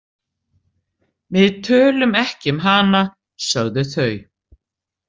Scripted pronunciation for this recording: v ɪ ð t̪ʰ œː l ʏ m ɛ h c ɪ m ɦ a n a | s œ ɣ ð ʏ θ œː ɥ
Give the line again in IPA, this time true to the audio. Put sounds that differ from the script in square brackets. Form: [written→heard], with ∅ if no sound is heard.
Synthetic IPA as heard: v ɪ ð t̪ʰ œː l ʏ m ɛ h c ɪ m ɦ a n a | s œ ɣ ð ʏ θ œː ɥ

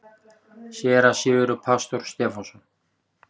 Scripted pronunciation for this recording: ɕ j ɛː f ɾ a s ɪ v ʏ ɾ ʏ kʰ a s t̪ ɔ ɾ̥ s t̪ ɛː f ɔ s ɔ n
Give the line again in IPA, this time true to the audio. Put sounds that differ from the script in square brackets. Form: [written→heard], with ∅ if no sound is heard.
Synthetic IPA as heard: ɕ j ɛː [f→∅] ɾ a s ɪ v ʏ ɾ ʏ [kʰ→pʰ] a s t̪ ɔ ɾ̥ s t̪ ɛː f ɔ s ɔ n

